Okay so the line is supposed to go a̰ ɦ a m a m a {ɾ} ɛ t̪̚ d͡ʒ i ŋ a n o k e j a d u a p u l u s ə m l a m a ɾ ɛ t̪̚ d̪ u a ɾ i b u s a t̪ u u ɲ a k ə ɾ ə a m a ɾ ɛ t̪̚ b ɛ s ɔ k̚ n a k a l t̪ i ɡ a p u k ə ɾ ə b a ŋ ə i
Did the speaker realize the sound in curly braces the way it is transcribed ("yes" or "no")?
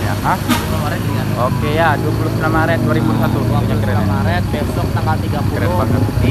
yes